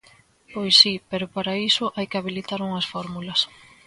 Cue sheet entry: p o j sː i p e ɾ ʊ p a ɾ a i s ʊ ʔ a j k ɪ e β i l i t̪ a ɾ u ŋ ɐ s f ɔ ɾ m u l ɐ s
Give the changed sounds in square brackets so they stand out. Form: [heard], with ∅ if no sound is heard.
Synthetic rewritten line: p o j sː i p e ɾ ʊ p a ɾ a i s ʊ ʔ a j k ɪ [a] β i l i t̪ a ɾ u ŋ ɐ s f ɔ ɾ m u l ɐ s